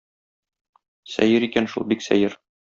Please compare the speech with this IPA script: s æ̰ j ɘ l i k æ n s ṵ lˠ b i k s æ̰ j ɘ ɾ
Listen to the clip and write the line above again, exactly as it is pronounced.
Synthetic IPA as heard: s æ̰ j ɘ ɾ i k æ n ʃ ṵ lˠ b i k s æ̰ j ɘ ɾ